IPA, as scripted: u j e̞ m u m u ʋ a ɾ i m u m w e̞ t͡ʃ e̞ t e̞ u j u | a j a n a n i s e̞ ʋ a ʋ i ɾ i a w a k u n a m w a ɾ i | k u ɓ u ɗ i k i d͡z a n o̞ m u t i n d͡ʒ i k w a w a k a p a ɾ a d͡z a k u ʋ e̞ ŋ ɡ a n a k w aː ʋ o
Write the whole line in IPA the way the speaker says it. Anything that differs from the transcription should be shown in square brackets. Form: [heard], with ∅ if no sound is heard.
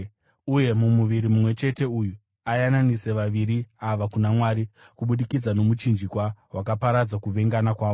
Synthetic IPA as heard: u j e̞ m u m u ʋ [i] ɾ i m u m w e̞ t͡ʃ e̞ t e̞ u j u | a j a n a n i s e̞ ʋ a ʋ i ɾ i a [ʋ] a k u n a m w a ɾ i | k u ɓ u ɗ i k i d͡z a n o̞ m u [t͡ʃ] i n d͡ʒ i k w a w a k a p a ɾ a d͡z a k u ʋ e̞ ŋ ɡ a n a k w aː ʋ o